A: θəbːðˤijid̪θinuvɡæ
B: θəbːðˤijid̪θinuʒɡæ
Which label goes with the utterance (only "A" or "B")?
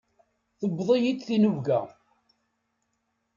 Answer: A